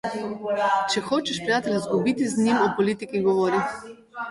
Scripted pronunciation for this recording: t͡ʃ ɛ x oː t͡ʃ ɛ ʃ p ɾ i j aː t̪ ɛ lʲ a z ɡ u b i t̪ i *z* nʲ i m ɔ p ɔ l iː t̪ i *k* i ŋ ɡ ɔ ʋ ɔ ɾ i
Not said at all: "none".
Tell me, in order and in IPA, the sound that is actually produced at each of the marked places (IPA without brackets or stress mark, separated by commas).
z, k